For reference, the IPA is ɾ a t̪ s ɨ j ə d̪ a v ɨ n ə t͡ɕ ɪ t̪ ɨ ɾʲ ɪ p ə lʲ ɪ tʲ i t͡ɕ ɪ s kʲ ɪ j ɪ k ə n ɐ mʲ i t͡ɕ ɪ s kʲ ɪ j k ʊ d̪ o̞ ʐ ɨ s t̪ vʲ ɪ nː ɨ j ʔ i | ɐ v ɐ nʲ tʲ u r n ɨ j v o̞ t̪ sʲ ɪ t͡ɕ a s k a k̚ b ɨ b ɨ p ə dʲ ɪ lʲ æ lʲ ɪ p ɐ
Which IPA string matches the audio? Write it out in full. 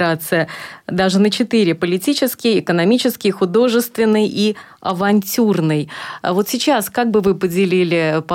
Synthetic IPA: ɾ a t̪ s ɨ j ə d̪ a ʐ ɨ n ə t͡ɕ ɪ t̪ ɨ ɾʲ ɪ p ə lʲ ɪ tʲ i t͡ɕ ɪ s kʲ ɪ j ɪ k ə n ɐ mʲ i t͡ɕ ɪ s kʲ ɪ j x ʊ d̪ o̞ ʐ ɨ s t̪ vʲ ɪ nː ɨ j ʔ i | ɐ v ɐ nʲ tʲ u r n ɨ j v o̞ t̪ sʲ ɪ t͡ɕ a s k a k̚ b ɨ v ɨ p ə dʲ ɪ lʲ i lʲ ɪ p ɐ